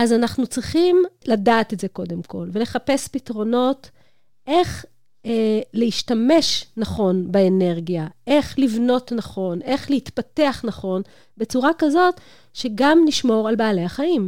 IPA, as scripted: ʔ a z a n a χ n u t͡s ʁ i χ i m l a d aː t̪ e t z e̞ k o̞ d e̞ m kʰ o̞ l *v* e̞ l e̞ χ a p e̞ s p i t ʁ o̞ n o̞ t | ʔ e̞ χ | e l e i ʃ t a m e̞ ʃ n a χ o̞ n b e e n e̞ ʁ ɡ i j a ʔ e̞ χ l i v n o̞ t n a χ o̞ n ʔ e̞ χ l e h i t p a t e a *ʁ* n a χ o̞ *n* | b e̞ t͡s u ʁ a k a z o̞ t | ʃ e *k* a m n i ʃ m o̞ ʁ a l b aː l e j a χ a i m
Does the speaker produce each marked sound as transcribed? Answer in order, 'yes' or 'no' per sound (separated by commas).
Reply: yes, no, yes, no